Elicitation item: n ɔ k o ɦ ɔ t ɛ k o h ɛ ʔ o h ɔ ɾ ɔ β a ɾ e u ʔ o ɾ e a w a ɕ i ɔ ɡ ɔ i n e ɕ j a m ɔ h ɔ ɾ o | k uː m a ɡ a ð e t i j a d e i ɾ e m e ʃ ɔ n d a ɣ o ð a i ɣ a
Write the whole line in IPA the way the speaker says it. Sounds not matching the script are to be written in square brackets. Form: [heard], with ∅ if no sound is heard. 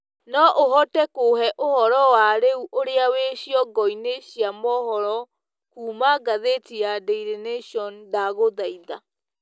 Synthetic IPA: n ɔ [ʔ] o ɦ ɔ t ɛ k o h ɛ ʔ o h ɔ ɾ ɔ [w] a ɾ e u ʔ o ɾ e a w [e] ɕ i ɔ ɡ ɔ i n e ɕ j a m ɔ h ɔ ɾ [ɔ] | k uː m a ɡ a ð e t i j a d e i ɾ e [n] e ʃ ɔ n d a ɣ o ð a i [ð] a